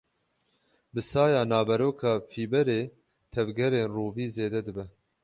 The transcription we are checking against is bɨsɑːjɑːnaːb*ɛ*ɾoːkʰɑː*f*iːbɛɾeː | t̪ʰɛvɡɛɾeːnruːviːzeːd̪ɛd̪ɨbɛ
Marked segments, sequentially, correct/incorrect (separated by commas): correct, correct